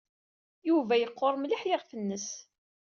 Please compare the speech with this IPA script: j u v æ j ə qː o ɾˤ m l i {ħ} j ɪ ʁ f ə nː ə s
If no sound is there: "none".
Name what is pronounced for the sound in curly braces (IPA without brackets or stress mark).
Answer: ħ